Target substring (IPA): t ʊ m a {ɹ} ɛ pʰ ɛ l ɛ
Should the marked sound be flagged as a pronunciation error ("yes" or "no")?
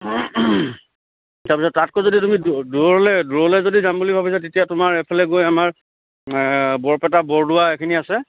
no